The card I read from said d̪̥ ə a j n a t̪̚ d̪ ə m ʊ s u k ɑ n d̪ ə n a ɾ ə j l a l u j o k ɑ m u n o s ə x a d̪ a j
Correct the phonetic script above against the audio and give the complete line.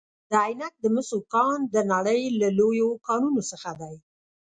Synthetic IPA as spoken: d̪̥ ə a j n a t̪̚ d̪ ə m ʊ s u k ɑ n d̪ ə n a ɽ ə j l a l o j o k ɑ n u n o s ə x a d̪ a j